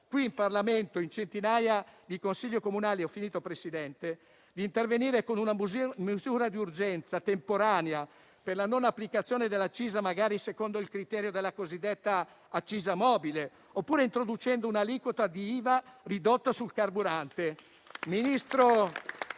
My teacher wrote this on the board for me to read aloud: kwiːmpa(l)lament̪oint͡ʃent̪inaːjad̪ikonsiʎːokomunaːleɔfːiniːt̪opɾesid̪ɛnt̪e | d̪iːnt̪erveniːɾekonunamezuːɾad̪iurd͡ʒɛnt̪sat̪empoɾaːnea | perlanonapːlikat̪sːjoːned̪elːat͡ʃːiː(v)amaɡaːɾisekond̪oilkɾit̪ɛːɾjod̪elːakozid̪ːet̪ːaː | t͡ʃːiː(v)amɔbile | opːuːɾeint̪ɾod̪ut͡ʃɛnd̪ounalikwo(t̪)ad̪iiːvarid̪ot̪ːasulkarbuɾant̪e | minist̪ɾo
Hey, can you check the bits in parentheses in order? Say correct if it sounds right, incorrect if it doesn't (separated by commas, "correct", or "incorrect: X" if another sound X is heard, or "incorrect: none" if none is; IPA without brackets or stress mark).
incorrect: r, incorrect: z, incorrect: z, correct